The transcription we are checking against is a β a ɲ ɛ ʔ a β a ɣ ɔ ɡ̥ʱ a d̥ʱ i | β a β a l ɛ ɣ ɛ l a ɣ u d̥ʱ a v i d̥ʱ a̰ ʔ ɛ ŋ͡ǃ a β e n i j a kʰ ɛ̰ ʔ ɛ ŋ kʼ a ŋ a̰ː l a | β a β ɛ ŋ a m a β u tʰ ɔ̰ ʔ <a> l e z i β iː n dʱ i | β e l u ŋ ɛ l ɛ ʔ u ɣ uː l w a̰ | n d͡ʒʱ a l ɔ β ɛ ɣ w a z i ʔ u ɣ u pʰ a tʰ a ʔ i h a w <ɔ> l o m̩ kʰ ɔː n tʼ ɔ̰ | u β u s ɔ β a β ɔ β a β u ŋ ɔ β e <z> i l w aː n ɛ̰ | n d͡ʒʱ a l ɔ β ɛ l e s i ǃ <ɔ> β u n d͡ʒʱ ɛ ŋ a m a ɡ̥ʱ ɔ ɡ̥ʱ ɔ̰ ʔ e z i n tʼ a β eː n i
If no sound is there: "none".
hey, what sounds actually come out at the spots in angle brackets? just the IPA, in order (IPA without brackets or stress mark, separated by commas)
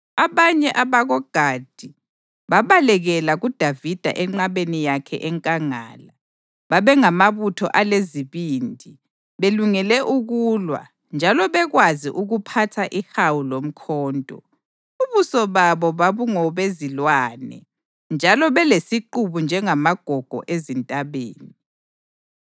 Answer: a, u, z, u